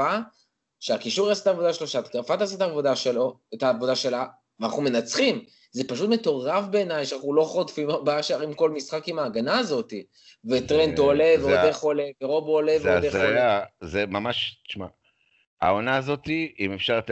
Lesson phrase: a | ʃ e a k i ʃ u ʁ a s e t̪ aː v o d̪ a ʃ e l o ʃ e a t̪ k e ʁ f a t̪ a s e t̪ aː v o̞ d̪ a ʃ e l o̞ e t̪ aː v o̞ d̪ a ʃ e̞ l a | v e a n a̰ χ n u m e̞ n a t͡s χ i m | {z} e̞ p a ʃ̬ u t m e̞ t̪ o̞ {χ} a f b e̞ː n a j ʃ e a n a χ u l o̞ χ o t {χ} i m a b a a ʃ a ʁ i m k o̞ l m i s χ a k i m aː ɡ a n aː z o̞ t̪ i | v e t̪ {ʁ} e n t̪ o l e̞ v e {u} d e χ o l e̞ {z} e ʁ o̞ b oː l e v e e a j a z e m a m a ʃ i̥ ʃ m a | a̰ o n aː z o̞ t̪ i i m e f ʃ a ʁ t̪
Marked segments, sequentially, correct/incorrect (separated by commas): correct, incorrect, incorrect, correct, incorrect, incorrect